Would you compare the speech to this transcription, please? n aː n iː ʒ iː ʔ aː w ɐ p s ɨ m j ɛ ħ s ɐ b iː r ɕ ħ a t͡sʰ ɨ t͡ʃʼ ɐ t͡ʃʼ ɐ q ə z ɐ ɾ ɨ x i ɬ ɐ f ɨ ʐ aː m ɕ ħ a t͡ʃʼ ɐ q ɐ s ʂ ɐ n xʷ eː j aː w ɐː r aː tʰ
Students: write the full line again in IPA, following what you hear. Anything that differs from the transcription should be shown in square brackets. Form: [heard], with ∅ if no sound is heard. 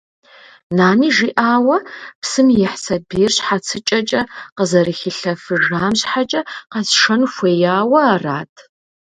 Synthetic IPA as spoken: n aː n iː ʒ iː ʔ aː w ɐ p s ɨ m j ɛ ħ s ɐ b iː r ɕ ħ a t͡sʰ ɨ t͡ʃʼ ɐ t͡ʃʼ ɐ q ə z ɐ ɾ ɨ x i ɬ ɐ f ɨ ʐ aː m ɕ ħ a t͡ʃʼ ɐ q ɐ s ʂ ɐ n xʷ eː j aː w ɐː r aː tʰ